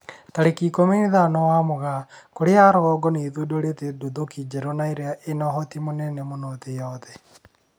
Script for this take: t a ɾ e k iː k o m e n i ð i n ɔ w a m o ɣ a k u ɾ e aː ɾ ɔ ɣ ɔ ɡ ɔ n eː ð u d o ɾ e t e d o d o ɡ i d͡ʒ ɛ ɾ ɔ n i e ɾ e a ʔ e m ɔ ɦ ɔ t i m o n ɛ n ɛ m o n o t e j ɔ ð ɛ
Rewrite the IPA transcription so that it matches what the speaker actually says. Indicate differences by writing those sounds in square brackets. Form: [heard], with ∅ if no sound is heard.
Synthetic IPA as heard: t a ɾ e k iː k o m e n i ð [a] n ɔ w a m o ɣ a k [o] ɾ e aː ɾ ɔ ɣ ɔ ɡ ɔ n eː ð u d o ɾ e t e d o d o [k] i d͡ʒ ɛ ɾ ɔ n [a] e ɾ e a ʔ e [n] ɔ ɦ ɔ t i m o n ɛ n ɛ m o n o t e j ɔ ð ɛ

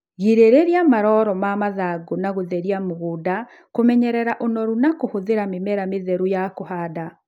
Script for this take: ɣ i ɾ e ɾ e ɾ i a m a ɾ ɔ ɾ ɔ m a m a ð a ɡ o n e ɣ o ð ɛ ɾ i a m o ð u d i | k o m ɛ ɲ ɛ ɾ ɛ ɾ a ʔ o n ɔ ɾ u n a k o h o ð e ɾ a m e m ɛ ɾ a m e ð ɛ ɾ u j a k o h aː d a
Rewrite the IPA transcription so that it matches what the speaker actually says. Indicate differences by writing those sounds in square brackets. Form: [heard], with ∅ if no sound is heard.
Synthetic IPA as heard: ɣ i ɾ e ɾ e ɾ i a m a ɾ ɔ ɾ ɔ m a m a ð a ɡ o n [a] ɣ o ð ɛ ɾ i a m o [ɣ] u d [a] | k o m ɛ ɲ ɛ ɾ ɛ ɾ a ʔ o n ɔ ɾ u n a k o h o ð e ɾ a m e m ɛ ɾ a m e ð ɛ ɾ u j a k o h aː d a

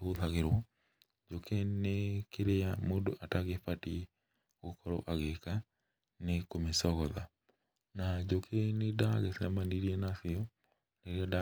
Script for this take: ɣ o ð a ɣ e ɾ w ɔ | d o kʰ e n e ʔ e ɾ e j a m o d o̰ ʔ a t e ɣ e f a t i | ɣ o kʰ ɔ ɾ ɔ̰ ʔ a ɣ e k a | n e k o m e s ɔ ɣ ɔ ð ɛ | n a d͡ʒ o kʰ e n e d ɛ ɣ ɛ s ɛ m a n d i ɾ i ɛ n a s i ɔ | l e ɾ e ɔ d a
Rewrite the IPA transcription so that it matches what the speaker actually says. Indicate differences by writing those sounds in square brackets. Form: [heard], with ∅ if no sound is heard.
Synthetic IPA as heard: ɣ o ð a ɣ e ɾ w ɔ | [d͡ʒ] o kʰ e n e [k] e ɾ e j a m o d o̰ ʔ a t [a] ɣ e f a t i | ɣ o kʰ ɔ ɾ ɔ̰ ʔ a ɣ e k a | n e k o m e s ɔ ɣ ɔ ð [a] | n a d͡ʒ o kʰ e n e d [a] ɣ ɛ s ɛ m a n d i ɾ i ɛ n a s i ɔ | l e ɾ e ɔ d a

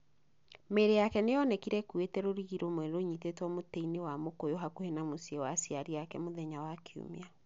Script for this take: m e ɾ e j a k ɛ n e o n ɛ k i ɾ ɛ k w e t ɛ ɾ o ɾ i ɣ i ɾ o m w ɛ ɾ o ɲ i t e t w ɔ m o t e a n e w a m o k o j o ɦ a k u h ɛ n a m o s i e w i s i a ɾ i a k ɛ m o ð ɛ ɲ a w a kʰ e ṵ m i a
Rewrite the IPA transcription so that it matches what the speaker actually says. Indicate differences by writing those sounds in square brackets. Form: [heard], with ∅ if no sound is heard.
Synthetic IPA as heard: m e ɾ e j a k ɛ n e [ɔ] n ɛ k i ɾ ɛ k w e t ɛ ɾ o ɾ i ɣ i ɾ o m w ɛ ɾ o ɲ i t e t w ɔ m o t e [i] n e w a m o k o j o ɦ a k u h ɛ n a m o s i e w [a] s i a ɾ i a k ɛ m o ð ɛ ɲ a w a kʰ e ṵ m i a

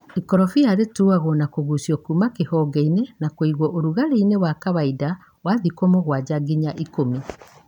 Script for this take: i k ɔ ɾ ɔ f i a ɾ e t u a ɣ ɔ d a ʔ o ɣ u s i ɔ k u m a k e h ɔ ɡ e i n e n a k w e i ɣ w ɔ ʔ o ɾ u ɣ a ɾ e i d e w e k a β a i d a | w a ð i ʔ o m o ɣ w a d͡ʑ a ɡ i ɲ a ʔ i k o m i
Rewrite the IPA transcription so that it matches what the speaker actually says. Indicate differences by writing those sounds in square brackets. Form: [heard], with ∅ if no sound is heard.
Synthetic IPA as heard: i k ɔ ɾ ɔ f i a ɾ e t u a ɣ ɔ [n] a [k] o ɣ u s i ɔ k u m a k e h ɔ ɡ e i n e n a k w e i ɣ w ɔ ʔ o ɾ u ɣ a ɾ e i [n] e w [a] k a β a i d a | w a ð i [k] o m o ɣ w a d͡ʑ a ɡ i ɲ a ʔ i k o m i

